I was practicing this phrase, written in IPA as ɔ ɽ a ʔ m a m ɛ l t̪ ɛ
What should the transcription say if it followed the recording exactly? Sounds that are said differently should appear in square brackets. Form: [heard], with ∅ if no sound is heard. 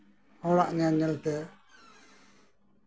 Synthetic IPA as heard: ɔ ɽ a ʔ [ɲ] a [ɲ] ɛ l t̪ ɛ